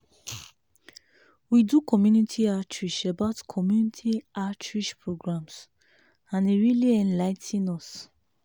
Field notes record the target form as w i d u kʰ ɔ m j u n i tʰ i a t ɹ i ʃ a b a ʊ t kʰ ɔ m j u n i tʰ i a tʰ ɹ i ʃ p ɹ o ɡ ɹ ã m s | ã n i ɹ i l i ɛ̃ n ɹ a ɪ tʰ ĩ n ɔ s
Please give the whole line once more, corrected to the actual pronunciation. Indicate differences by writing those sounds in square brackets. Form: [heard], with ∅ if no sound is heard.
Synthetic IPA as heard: w i d u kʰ ɔ m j u n i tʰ i a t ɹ i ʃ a b a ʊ t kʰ ɔ m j u n i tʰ i a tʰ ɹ i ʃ p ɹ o ɡ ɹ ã m s | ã n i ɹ i l i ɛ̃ n [l] a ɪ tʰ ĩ n ɔ s